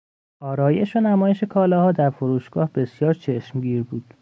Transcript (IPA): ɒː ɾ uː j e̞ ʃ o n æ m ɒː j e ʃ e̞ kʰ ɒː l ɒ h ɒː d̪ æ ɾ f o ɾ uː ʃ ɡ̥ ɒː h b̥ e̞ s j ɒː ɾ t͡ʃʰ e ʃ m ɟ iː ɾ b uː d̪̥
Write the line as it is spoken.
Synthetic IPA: ɒː ɾ ɒː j e̞ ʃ o n æ m ɒː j e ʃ e̞ kʰ ɒː l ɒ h ɒː d̪ æ ɾ f o ɾ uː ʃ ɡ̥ ɒː h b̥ e̞ s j ɒː ɾ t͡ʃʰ e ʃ m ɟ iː ɾ b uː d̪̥